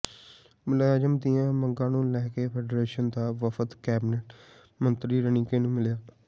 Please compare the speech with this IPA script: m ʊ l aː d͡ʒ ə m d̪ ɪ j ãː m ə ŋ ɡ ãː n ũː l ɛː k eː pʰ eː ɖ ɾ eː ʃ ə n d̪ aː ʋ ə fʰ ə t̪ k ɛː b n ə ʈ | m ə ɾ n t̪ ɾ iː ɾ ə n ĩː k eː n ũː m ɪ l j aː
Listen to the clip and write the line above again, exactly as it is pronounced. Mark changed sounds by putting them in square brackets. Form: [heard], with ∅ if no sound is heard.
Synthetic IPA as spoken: m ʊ l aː d͡ʒ ə m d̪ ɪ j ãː m ə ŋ ɡ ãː n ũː l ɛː k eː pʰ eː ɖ ɾ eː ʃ ə n d̪ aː ʋ ə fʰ ə t̪ k ɛː b n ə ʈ | m ə [∅] n t̪ ɾ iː ɾ ə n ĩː k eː n ũː m ɪ l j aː

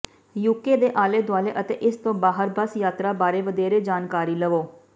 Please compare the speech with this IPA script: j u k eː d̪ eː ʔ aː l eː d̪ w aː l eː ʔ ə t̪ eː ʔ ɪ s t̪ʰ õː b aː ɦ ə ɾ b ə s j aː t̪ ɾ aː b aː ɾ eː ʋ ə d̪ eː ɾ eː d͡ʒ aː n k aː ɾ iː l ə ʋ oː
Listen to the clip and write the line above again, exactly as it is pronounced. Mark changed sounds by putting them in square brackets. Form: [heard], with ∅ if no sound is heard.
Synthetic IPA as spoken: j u k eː d̪ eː ʔ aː l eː d̪ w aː l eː ʔ ə t̪ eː ʔ ɪ s [t̪] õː b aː ɦ ə ɾ b ə s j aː t̪ ɾ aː b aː ɾ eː ʋ ə d̪ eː ɾ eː d͡ʒ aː n k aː ɾ iː l ə ʋ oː

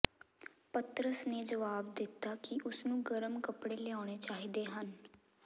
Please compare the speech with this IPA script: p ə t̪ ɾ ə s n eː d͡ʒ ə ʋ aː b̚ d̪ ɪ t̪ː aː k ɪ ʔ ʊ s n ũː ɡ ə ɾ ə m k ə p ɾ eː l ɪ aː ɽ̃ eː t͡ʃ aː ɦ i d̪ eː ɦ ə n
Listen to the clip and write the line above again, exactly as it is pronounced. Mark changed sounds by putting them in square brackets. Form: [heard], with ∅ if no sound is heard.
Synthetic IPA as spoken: p ə t̪ ɾ ə s n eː d͡ʒ ə ʋ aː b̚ d̪ ɪ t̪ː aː k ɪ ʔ ʊ s n ũː ɡ ə ɾ ə m k ə p [ɽ] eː l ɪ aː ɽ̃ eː t͡ʃ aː ɦ i d̪ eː ɦ ə n

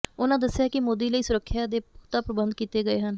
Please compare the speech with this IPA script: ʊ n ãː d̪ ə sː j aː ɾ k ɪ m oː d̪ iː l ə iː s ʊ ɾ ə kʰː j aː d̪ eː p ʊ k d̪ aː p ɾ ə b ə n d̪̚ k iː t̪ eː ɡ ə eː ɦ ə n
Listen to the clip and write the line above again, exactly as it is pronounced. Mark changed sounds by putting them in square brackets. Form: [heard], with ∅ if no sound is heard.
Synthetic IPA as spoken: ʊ n ãː d̪ ə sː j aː [∅] k ɪ m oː d̪ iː l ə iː s ʊ ɾ ə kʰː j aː d̪ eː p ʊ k [t̪] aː p ɾ ə b ə n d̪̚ k iː t̪ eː ɡ ə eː ɦ ə n

